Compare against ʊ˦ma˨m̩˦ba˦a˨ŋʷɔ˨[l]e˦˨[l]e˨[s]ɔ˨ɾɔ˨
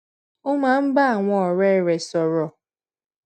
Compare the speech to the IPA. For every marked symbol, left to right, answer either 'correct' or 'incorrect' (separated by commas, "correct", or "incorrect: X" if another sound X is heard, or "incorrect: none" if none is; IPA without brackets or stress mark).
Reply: incorrect: ɾ, incorrect: ɾ, correct